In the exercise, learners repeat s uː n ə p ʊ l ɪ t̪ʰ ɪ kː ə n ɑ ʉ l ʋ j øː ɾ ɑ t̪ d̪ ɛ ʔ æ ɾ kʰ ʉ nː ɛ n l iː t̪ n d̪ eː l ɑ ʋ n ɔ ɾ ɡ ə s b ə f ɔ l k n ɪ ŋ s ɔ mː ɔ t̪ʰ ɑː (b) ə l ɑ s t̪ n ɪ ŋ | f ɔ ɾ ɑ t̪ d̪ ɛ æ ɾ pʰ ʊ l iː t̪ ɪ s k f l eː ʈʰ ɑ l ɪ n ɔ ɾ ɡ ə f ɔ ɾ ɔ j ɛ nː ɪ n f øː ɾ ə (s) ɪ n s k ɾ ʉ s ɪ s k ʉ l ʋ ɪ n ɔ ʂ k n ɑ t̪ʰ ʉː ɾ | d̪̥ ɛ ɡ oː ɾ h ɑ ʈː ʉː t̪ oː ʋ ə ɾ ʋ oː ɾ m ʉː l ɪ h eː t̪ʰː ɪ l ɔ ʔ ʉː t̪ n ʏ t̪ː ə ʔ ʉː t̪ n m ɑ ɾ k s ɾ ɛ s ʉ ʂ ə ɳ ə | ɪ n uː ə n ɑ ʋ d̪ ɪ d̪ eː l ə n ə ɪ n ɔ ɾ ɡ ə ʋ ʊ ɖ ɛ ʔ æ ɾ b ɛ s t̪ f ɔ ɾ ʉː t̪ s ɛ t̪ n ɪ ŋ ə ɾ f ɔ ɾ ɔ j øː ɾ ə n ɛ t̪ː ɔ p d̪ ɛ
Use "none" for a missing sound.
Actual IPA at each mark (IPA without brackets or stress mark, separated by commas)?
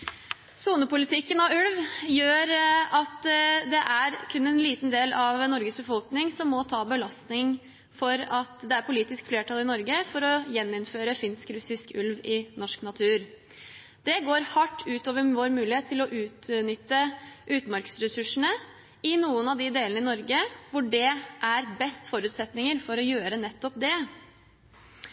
b, f